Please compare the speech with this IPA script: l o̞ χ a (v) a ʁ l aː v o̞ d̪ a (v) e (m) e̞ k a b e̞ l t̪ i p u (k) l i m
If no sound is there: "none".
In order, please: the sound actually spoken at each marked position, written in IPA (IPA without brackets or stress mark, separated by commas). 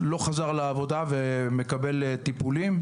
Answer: z, v, m, none